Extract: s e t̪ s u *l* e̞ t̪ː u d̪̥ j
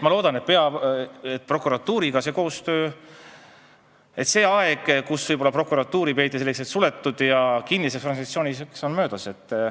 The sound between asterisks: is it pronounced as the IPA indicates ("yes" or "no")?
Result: yes